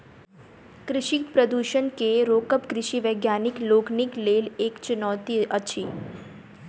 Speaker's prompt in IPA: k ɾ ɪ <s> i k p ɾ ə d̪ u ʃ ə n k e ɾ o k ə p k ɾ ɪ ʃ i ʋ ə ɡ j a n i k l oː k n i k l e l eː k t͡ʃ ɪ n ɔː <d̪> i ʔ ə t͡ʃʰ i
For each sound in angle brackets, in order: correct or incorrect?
incorrect: ʃ, incorrect: t̪

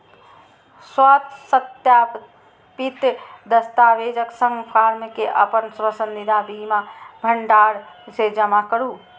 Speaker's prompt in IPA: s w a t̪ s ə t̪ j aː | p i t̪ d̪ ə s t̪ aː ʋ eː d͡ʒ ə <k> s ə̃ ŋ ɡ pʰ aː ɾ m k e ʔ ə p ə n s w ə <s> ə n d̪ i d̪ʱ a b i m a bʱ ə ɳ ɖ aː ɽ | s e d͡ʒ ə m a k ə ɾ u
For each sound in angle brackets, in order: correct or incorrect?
correct, correct

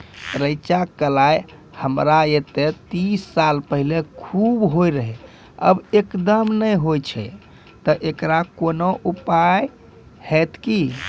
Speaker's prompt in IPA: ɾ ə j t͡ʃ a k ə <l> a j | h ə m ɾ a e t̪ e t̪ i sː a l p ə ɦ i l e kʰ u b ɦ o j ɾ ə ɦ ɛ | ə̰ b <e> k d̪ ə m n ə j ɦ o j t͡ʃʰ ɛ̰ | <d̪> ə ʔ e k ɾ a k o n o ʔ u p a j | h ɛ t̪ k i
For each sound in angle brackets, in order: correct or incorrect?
correct, correct, incorrect: t̪

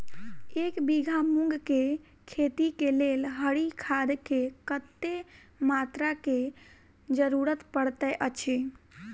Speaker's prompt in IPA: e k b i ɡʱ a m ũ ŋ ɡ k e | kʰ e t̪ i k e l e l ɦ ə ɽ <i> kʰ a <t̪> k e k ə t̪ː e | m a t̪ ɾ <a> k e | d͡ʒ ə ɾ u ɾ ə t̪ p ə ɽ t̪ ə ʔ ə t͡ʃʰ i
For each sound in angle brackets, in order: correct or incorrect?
correct, incorrect: d̪, correct

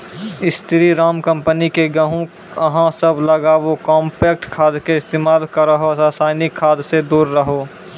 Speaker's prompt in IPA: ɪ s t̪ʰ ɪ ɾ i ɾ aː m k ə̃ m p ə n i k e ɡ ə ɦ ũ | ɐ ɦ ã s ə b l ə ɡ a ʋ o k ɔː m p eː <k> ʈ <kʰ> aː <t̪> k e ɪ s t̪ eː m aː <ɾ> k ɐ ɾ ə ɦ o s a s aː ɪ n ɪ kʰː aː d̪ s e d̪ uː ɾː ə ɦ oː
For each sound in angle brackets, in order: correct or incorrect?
correct, correct, incorrect: d̪, incorrect: l

